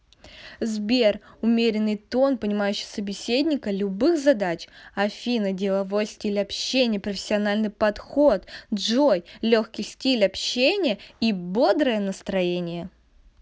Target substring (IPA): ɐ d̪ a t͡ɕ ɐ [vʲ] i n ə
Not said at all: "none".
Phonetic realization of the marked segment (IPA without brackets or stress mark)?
fʲ